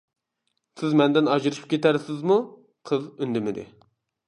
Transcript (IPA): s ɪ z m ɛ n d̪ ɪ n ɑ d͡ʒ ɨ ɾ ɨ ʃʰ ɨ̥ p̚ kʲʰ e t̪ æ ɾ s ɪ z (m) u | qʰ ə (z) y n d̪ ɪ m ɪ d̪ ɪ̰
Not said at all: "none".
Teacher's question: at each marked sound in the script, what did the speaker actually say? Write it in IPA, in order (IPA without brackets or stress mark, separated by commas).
m, z